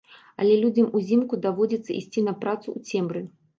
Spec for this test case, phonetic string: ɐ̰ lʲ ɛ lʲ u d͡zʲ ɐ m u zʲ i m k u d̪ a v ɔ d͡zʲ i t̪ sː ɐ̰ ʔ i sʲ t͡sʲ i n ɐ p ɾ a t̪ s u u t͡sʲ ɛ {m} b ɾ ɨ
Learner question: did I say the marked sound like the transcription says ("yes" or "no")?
yes